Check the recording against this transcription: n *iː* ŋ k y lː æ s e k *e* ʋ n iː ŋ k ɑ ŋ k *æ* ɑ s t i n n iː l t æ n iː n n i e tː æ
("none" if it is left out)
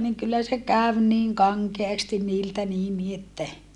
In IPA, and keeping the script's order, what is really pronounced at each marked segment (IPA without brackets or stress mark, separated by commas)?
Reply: i, æ, e